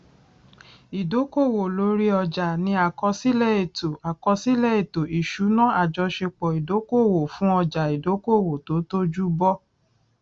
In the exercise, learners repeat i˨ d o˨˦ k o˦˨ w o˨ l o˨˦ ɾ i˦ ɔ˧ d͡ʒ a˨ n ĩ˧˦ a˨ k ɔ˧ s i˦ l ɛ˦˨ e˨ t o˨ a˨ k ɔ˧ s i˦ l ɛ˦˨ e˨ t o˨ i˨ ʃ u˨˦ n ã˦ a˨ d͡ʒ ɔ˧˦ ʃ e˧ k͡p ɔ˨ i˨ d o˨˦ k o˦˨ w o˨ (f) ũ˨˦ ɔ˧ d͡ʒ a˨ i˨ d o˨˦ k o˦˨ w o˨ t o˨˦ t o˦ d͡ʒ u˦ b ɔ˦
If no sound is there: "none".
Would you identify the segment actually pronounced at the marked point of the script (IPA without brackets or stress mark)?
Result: f